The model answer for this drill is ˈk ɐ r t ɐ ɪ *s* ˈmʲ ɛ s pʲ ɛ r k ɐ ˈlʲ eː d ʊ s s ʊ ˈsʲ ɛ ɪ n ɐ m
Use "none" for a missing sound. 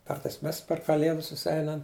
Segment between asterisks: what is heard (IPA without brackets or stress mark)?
s